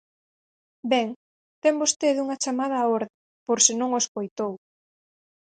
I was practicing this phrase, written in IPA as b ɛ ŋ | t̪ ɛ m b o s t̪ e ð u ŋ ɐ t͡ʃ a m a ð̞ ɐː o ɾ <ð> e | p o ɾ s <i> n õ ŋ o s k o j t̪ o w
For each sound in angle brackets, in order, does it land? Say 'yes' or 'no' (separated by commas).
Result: yes, no